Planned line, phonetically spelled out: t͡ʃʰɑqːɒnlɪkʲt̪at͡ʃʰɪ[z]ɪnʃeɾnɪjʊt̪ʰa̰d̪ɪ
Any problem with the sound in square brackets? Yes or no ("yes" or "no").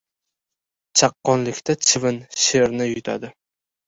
yes